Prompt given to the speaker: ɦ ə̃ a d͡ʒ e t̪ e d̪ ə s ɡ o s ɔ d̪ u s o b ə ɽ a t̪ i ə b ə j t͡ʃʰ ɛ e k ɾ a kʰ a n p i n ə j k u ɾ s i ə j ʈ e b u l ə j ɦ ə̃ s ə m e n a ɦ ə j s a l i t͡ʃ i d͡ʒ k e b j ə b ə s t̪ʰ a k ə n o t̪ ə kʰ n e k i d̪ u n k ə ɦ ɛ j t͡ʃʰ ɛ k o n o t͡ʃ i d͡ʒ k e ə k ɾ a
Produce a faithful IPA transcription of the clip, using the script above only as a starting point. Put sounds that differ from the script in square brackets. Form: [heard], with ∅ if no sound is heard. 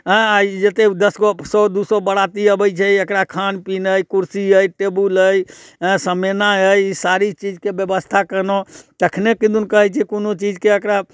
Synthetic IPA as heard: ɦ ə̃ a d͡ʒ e t̪ e d̪ ə s ɡ o s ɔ d̪ u s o b ə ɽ a t̪ i ə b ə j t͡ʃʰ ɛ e k ɾ a kʰ a n p i n ə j k u ɾ s i ə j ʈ e b u l ə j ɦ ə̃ s ə m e n a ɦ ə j s a [ɾ] i t͡ʃ i d͡ʒ k e b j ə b ə s t̪ʰ a k ə n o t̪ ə kʰ n e k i d̪ u n k ə ɦ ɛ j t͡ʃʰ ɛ k o n o t͡ʃ i d͡ʒ k e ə k ɾ a